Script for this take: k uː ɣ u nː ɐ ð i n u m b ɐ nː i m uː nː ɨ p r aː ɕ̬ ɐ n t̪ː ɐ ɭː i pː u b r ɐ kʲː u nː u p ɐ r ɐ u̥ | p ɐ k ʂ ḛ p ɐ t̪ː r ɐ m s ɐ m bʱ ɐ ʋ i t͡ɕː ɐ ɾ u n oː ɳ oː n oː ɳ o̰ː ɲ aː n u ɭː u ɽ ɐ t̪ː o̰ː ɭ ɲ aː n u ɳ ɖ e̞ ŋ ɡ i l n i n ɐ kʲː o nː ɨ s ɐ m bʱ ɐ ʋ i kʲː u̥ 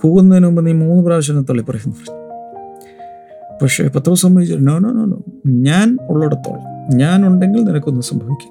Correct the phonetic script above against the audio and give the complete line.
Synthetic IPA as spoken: k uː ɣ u nː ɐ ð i n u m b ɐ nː i m uː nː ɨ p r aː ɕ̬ ɐ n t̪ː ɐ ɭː i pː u r ɐ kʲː u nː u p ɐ r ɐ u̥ | p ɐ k ʂ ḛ p ɐ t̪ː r ɐ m s ɐ m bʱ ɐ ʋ i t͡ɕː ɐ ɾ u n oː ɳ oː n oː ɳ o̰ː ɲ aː n u ɭː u ɽ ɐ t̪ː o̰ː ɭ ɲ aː n u ɳ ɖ e̞ ŋ ɡ i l n i n ɐ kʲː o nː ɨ s ɐ m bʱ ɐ ʋ i kʲː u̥